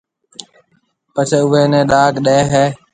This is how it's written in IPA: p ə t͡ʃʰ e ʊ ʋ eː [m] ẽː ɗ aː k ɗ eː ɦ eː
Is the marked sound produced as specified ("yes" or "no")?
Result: no